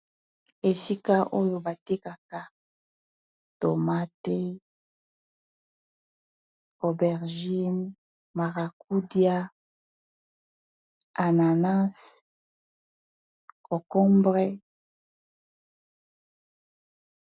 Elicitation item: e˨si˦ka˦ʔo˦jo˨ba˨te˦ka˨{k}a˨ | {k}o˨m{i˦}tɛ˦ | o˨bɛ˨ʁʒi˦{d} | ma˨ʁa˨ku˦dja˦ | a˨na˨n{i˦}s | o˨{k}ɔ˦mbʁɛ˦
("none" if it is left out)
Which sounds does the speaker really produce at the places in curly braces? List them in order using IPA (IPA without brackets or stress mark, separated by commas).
k, t, a˦, n, a˦, k